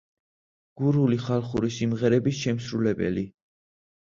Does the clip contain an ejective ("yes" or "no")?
no